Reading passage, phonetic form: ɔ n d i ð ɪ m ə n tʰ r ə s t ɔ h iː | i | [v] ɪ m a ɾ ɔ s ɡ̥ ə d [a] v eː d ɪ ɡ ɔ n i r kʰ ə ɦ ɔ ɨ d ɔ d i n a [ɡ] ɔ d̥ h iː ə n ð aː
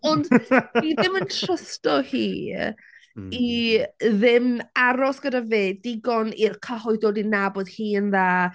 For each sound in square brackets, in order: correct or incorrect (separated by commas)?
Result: incorrect, correct, incorrect